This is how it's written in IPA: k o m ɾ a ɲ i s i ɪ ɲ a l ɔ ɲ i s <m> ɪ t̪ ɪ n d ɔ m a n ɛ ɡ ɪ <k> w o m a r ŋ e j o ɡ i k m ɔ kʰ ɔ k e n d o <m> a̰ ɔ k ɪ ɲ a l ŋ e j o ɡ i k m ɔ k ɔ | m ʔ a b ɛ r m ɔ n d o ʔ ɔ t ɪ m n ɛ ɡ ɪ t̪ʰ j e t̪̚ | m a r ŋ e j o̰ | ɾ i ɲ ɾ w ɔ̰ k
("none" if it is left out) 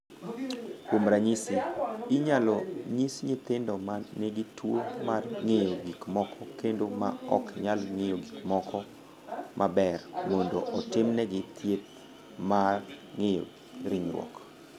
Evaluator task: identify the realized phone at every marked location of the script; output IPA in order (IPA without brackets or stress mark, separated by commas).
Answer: ɲ, t, m